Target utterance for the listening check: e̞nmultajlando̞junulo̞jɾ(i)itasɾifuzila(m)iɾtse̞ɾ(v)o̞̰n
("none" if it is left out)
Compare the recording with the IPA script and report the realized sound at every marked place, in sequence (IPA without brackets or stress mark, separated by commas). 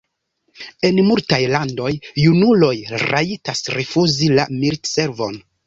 a, m, v